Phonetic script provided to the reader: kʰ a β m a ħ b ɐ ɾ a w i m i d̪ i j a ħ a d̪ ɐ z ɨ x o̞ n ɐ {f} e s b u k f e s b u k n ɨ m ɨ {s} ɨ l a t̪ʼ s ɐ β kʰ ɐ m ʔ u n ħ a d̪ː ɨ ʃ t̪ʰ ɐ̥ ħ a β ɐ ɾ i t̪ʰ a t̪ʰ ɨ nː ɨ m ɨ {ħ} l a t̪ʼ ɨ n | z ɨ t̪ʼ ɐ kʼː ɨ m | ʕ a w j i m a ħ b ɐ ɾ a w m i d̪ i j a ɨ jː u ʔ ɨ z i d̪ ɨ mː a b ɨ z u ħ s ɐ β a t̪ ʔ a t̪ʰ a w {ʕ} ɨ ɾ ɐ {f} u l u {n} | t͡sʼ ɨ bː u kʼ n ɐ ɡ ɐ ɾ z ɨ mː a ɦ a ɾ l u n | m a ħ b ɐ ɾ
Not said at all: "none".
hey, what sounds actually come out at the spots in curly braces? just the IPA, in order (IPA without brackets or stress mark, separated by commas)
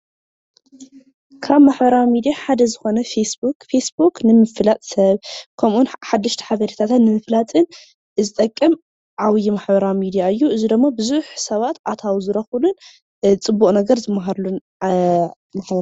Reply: f, f, f, z, x, n